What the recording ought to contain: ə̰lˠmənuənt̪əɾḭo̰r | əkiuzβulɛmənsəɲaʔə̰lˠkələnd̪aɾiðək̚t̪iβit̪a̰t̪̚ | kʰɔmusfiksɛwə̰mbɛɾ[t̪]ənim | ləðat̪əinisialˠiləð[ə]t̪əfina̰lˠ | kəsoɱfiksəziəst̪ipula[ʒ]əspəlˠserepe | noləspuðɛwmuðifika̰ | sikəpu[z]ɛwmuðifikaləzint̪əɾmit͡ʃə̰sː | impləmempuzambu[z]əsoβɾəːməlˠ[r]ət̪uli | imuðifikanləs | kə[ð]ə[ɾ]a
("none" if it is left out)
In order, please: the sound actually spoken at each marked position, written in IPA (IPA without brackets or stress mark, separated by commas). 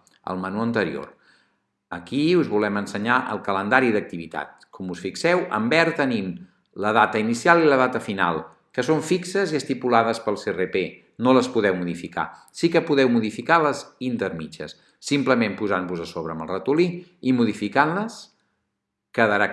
t̪, a, ð, ð, z, r, ð, ɾ